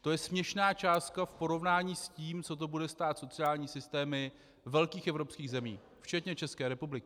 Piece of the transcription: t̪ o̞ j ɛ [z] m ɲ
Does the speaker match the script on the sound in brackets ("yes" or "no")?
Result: no